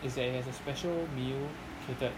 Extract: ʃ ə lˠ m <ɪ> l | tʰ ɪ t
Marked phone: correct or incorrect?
incorrect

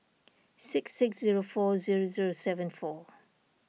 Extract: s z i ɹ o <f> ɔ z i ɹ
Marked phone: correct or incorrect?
correct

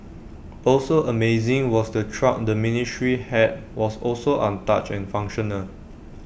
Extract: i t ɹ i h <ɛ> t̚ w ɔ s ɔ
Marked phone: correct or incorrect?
correct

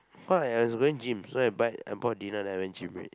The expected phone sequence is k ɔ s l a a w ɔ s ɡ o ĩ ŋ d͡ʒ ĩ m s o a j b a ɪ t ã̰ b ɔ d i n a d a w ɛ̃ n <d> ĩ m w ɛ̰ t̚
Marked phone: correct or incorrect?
incorrect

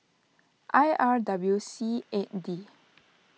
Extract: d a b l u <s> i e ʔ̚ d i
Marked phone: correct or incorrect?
correct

